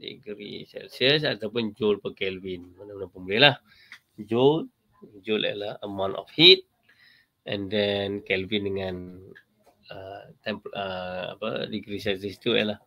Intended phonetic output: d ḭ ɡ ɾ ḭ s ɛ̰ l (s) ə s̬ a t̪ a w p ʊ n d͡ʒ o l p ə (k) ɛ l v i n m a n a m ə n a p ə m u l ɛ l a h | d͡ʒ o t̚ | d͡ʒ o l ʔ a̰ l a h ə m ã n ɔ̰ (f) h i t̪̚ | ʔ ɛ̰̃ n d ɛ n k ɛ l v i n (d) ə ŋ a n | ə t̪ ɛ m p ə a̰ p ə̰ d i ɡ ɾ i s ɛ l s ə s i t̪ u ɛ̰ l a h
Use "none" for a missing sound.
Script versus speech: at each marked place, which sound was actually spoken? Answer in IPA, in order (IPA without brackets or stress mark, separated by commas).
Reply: s, k, f, d